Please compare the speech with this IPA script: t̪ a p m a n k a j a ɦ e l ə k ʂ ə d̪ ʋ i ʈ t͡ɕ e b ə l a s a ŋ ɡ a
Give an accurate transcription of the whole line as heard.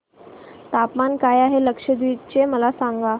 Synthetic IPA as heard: t̪ a p m a n k a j a ɦ e l ə k ʂ ə d̪ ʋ i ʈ t͡ɕ e m ə l a s a ŋ ɡ a